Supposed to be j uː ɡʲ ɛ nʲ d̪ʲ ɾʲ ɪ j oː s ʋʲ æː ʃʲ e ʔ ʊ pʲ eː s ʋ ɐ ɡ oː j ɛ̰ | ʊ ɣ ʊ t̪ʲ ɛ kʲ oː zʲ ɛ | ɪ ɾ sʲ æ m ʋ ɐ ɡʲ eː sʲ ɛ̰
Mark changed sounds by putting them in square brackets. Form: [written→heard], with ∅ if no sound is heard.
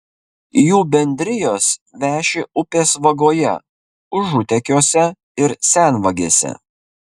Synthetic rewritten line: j uː [ɡʲ→bʲ] ɛ nʲ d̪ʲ ɾʲ ɪ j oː s ʋʲ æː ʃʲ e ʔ ʊ pʲ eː s ʋ ɐ ɡ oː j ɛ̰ | ʊ [ɣ→ʒ] ʊ t̪ʲ ɛ kʲ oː [zʲ→sʲ] ɛ | ɪ ɾ sʲ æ [m→n] ʋ ɐ ɡʲ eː sʲ ɛ̰